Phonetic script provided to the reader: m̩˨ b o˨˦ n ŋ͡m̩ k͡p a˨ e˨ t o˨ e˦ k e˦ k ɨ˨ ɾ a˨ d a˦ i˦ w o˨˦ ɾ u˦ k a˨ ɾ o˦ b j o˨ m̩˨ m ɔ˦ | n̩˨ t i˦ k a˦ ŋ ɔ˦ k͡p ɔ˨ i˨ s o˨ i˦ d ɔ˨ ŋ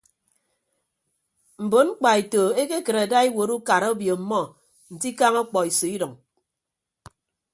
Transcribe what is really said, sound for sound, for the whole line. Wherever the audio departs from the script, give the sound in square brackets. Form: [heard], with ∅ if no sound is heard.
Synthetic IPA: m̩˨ b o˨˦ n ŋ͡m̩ k͡p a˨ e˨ t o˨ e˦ k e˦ k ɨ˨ ɾ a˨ d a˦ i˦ w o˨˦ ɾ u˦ k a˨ ɾ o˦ b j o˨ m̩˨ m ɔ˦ | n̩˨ t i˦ k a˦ ŋ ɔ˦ k͡p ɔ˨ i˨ s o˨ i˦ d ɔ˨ ŋ